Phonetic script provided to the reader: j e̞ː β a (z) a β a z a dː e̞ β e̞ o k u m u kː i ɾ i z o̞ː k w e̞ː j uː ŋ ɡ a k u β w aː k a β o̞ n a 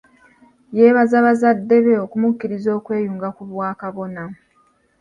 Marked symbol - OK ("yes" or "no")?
yes